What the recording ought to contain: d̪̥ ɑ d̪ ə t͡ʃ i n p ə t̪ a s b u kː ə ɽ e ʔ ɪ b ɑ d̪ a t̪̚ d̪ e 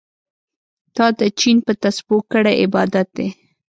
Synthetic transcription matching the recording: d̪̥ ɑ d̪ ə t͡ʃ i n p ə t̪ a s b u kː ə ɽ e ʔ ɪ b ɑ d̪ a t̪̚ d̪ e